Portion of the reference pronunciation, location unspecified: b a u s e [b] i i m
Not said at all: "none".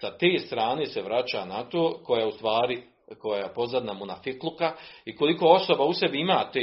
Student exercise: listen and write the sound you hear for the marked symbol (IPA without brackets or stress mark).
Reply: b